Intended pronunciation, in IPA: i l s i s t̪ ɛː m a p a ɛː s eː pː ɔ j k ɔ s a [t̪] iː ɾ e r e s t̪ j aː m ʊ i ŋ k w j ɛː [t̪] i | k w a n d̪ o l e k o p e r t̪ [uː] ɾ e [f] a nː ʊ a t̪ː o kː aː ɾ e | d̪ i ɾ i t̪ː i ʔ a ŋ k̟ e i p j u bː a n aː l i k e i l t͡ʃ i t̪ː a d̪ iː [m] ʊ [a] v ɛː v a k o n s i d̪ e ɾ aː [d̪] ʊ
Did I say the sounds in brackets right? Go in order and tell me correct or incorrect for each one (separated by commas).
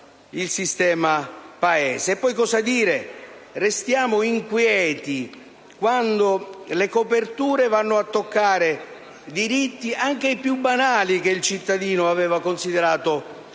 incorrect, correct, correct, incorrect, incorrect, correct, incorrect